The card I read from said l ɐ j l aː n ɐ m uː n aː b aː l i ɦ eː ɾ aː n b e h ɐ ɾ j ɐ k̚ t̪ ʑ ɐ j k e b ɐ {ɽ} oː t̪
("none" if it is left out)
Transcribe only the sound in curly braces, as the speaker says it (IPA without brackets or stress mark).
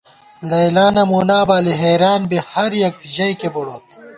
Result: ɽ